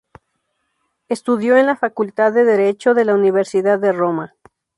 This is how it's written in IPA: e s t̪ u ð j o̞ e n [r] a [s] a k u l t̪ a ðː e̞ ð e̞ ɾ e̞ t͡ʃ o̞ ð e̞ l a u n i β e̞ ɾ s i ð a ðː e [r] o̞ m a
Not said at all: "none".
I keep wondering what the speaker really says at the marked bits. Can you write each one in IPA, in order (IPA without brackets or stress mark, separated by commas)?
l, f, r